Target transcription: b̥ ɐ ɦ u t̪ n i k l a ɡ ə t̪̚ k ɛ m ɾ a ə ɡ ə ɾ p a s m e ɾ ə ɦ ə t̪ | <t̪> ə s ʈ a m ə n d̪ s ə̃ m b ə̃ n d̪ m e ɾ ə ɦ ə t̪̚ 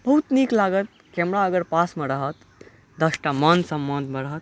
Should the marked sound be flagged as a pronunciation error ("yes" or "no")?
yes